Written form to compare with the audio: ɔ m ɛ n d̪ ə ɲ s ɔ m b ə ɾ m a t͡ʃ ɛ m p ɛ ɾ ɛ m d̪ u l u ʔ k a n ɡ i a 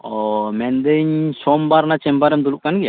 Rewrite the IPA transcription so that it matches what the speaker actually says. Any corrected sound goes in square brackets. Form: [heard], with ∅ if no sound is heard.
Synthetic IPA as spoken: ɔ m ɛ n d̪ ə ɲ s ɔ m b [a] ɾ [n] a t͡ʃ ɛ m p [a] ɾ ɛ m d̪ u l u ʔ k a n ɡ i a